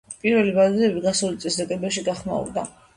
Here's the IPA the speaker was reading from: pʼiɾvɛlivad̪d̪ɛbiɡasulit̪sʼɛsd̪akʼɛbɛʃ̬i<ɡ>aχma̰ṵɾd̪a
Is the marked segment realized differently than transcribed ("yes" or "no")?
no